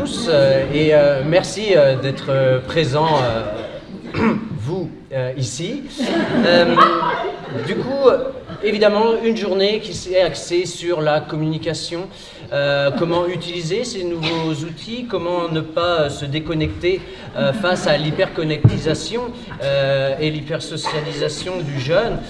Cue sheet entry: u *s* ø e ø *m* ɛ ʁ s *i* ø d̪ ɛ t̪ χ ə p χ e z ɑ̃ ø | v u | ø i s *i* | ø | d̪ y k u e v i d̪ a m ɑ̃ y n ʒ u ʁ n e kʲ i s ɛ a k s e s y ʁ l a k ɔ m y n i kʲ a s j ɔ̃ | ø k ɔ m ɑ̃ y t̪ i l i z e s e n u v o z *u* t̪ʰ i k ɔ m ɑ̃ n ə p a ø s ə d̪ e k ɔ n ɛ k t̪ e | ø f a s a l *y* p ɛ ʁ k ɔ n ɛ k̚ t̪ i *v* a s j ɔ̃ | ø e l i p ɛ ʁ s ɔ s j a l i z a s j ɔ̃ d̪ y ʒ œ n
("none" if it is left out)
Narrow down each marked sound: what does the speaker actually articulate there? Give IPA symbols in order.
s, m, i, i, u, i, z

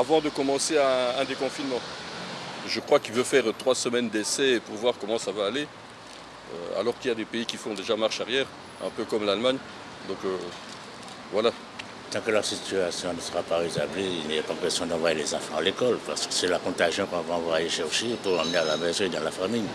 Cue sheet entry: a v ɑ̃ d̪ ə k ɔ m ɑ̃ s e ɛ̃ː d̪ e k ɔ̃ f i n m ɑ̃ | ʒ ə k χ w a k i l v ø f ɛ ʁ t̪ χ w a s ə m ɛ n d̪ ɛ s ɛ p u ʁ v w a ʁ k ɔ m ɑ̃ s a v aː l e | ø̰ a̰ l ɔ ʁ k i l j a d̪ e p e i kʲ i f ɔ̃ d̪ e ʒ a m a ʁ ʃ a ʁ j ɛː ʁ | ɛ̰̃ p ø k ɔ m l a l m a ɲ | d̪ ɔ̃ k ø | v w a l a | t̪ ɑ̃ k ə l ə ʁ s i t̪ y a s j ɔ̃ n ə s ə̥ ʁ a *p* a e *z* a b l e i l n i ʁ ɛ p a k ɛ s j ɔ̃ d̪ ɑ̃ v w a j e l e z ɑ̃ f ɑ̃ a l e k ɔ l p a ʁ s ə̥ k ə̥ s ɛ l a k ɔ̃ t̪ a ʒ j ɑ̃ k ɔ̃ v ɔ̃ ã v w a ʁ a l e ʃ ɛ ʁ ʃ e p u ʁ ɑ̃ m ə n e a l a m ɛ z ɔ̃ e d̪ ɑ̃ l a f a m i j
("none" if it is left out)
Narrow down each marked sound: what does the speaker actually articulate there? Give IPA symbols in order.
p, z

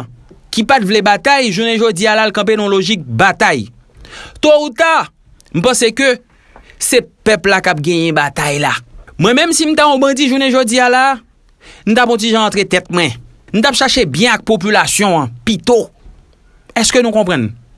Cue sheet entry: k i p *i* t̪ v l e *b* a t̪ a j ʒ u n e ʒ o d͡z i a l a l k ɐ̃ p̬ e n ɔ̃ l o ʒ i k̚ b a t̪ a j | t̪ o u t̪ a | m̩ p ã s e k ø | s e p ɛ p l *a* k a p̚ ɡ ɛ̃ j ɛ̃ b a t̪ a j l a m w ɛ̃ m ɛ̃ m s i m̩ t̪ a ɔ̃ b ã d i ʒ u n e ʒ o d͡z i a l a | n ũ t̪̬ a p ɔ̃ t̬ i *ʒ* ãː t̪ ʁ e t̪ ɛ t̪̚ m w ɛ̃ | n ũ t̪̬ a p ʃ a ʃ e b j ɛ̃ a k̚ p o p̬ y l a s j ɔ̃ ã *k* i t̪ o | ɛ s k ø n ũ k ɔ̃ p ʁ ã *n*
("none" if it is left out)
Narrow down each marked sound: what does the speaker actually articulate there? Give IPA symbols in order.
a, b, a, ʒ, p, n

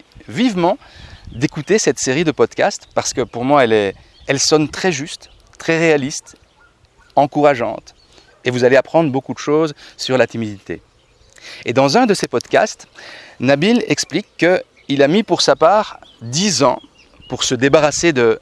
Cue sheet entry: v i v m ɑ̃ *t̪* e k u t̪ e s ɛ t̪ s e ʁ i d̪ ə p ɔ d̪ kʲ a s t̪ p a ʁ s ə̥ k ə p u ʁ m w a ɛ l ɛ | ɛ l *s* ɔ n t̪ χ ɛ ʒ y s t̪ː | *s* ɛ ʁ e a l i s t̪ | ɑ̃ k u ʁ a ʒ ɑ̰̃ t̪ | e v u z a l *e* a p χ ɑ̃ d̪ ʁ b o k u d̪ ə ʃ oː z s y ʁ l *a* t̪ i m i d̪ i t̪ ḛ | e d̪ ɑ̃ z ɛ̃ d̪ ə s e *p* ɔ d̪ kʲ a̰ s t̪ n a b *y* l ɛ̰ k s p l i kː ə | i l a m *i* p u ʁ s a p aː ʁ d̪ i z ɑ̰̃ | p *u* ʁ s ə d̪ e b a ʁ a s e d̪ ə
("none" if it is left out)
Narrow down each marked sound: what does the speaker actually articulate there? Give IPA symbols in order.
d̪, s, χ, e, a, p, i, i, u

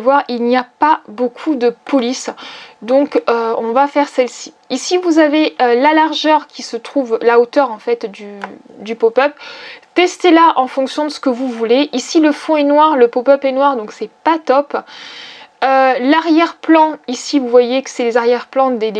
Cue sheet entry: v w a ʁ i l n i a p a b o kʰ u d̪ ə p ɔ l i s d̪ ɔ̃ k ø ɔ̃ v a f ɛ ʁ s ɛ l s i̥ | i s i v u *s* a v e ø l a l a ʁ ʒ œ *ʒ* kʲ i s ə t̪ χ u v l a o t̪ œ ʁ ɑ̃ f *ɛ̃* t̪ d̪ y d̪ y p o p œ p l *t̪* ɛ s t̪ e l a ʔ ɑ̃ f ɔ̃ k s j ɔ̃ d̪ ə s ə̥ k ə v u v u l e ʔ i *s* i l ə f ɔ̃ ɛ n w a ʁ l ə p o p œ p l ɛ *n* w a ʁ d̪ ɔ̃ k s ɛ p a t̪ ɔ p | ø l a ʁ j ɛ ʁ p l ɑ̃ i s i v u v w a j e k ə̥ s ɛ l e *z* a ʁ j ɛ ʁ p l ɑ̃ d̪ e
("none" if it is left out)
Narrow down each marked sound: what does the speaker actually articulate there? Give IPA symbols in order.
z, ʁ, ɛ, t̪, s, n, z

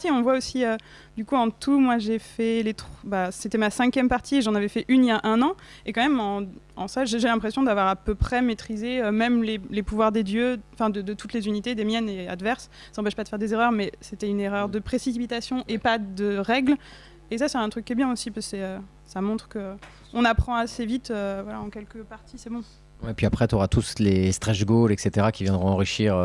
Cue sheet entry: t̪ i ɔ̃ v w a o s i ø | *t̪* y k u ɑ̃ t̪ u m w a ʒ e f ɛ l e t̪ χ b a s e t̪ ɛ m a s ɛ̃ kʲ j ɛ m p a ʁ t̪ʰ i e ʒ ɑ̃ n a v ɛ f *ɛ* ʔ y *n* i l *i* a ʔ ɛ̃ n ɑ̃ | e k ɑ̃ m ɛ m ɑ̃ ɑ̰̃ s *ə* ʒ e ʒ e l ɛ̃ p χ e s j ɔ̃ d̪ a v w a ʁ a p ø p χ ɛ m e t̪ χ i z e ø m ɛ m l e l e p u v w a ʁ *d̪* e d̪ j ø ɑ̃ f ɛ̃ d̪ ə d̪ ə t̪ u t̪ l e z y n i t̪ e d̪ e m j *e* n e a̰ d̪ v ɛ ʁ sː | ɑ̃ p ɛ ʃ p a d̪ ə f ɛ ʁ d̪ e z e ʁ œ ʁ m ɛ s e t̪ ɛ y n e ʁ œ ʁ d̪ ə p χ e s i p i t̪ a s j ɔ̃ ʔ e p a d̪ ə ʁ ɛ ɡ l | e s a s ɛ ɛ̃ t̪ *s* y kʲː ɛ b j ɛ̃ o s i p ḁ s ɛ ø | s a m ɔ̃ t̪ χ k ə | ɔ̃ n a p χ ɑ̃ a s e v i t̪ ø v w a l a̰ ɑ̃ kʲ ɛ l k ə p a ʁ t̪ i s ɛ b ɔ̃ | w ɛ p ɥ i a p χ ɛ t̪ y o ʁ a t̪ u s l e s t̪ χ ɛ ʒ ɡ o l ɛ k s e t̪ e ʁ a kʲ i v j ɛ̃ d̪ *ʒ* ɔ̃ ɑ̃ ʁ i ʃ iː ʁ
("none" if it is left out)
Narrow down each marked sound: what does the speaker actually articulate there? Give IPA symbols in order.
d̪, ɛ, n, j, a, d̪, ɛ, χ, ʁ

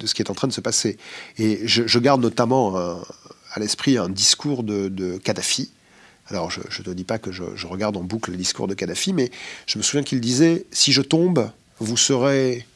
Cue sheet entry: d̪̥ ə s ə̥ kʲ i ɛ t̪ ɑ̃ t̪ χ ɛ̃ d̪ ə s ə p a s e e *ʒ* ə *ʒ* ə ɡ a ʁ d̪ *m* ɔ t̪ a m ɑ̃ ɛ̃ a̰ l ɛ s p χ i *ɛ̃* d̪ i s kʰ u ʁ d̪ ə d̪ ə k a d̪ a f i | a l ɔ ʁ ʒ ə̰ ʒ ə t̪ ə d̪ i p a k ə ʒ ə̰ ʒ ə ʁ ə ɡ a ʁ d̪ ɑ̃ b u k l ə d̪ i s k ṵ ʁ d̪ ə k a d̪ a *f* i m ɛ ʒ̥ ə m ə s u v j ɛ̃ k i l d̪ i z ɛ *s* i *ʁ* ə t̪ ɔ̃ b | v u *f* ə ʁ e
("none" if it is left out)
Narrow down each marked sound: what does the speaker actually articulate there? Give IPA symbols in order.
ʒ, ʒ, n, ɛ̃, f, s, ʒ, s

